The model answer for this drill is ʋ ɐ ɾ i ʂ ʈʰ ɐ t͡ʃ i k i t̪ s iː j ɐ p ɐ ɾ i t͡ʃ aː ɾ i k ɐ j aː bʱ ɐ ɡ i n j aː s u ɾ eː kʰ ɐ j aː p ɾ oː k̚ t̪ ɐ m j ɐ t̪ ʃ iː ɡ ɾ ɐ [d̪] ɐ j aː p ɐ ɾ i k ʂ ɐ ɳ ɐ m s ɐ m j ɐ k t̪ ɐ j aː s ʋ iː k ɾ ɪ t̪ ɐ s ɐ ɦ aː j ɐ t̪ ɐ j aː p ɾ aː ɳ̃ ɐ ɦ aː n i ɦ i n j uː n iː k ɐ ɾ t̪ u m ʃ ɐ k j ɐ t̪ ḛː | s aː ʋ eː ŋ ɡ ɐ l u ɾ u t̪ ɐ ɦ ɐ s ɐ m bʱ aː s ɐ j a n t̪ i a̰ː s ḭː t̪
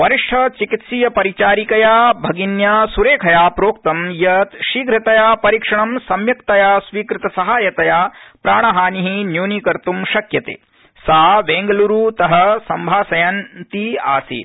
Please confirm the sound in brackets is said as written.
no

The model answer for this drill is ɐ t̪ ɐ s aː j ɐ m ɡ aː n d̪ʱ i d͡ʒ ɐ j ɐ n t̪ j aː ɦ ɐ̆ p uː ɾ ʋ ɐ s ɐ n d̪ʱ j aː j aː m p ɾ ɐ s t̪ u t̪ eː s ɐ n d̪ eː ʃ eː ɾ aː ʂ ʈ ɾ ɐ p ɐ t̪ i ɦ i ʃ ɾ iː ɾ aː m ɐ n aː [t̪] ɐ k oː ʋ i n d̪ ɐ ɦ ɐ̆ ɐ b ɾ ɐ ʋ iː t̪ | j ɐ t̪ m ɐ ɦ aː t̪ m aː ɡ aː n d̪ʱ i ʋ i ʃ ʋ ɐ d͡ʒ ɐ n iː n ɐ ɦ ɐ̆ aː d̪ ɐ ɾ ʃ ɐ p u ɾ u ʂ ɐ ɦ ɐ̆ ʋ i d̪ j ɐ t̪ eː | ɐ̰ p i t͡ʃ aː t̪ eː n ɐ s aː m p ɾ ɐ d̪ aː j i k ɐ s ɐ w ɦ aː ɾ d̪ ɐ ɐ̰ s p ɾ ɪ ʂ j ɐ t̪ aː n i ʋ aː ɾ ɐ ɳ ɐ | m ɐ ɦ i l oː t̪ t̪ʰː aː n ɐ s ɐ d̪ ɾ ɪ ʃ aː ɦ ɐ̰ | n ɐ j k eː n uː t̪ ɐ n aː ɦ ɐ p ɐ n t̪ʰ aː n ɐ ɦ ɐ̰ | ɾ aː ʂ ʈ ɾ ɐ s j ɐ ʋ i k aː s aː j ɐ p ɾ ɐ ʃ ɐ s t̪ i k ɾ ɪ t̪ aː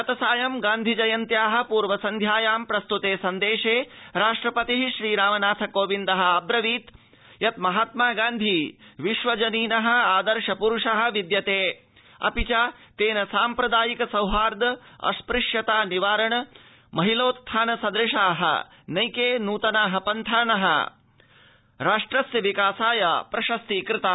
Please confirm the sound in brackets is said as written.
no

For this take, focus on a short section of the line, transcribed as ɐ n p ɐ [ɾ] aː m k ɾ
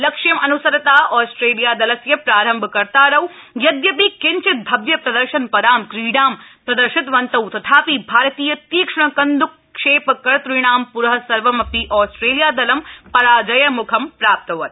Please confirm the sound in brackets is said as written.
yes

